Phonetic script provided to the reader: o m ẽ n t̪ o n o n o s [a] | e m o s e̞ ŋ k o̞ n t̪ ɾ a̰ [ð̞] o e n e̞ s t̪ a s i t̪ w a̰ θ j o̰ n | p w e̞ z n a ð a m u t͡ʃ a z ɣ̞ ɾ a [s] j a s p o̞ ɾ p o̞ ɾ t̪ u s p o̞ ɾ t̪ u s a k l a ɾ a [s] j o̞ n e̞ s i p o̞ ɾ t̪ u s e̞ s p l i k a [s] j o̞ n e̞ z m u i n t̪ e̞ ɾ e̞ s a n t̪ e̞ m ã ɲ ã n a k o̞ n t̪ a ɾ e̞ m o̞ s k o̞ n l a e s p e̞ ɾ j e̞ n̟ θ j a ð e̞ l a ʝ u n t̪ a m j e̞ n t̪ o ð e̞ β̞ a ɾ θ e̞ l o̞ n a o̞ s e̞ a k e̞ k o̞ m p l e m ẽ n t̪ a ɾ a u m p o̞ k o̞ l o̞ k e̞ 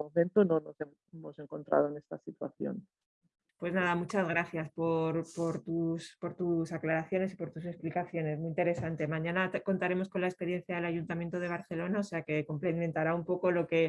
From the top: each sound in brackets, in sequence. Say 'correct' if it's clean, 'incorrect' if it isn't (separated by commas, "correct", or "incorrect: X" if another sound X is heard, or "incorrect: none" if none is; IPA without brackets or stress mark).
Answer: incorrect: e, correct, incorrect: θ, incorrect: θ, incorrect: θ